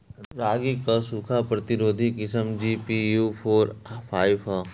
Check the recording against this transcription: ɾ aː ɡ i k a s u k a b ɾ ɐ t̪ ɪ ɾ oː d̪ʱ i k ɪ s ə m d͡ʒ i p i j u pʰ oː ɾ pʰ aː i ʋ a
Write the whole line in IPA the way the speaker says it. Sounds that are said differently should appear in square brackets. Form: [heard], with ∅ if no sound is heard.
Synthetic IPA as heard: ɾ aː ɡ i k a s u [kʰ] a [p] ɾ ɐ t̪ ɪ ɾ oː d̪ʱ i k ɪ s ə m d͡ʒ i p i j u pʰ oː ɾ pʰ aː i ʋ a